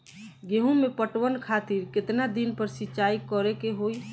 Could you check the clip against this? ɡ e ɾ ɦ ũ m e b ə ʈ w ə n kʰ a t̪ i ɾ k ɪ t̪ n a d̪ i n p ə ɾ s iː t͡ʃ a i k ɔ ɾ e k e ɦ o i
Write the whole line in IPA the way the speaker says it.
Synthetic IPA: ɡ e ɦ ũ m e p ə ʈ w ə n kʰ a t̪ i ɾ k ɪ t̪ n a d̪ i n p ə ɾ s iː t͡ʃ a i k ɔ ɾ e k e ɦ o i